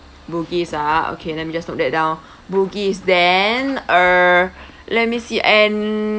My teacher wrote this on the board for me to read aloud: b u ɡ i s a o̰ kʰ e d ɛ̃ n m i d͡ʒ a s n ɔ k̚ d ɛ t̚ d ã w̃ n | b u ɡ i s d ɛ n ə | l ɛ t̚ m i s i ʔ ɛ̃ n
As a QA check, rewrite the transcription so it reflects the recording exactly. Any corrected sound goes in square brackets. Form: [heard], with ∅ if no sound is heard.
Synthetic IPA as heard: b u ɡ i s a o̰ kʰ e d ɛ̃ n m i d͡ʒ a s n ɔ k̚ d ɛ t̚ d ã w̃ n | b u ɡ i s d ɛ n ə | l ɛ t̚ m i s i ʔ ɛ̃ n